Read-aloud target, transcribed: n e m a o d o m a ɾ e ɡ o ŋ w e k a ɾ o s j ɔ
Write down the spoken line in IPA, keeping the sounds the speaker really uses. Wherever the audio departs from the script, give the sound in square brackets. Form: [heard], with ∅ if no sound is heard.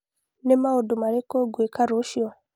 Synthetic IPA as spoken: n e m a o d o m a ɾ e [k] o [ɡ] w e k a ɾ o [ʃ] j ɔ